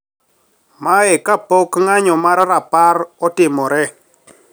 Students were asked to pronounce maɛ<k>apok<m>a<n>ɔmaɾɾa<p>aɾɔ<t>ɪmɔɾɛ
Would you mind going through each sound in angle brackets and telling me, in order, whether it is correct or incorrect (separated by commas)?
correct, incorrect, incorrect, correct, correct